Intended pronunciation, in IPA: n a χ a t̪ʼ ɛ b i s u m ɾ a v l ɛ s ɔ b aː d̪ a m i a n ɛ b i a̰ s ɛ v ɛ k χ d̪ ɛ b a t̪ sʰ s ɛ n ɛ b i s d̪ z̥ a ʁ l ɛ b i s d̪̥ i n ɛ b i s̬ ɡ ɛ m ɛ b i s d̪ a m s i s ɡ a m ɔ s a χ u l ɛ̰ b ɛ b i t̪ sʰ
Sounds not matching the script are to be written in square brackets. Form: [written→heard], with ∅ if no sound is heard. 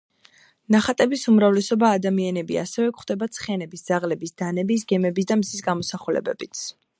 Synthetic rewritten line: n a χ a t̪ʼ ɛ b i s u m ɾ a v l ɛ s ɔ b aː d̪ a m i a n ɛ b i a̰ s ɛ v ɛ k χ d̪ ɛ b a t̪ sʰ [s→χ] ɛ n ɛ b i s d̪ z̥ a ʁ l ɛ b i s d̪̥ [i→a] n ɛ b i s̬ ɡ ɛ m ɛ b i s d̪ a m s i s ɡ a m ɔ s a χ u l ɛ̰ b ɛ b i t̪ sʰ